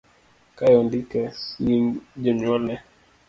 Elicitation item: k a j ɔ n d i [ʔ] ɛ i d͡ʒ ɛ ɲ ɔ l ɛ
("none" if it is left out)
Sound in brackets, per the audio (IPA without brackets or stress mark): k